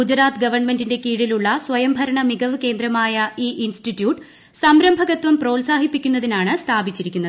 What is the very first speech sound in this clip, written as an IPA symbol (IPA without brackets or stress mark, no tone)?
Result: u